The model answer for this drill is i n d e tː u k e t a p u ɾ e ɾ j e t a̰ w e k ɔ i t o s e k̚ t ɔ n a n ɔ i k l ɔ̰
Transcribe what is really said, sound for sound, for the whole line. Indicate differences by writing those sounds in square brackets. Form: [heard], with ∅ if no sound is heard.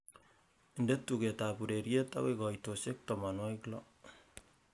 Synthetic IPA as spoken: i n d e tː u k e t a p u ɾ e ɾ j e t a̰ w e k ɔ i t o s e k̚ t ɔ [m] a n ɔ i k l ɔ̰